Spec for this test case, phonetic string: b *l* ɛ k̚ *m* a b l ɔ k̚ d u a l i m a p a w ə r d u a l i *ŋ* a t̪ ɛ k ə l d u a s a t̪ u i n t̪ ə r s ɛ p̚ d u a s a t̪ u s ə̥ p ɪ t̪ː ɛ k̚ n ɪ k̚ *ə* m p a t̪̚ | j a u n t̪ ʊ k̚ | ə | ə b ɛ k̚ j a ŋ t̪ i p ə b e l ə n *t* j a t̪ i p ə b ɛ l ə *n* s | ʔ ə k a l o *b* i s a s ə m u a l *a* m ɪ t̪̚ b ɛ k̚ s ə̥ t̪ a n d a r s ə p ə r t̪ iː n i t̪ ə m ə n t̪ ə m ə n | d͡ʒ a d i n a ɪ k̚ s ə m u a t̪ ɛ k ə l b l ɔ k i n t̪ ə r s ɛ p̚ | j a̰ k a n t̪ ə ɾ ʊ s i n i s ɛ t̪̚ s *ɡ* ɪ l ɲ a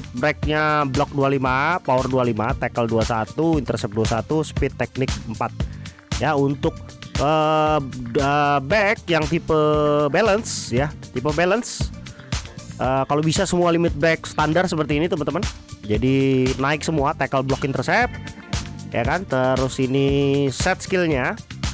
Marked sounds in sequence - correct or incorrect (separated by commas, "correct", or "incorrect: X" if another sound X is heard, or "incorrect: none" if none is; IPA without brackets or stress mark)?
incorrect: ɾ, incorrect: ɲ, incorrect: m, correct, incorrect: s, correct, correct, incorrect: i, incorrect: k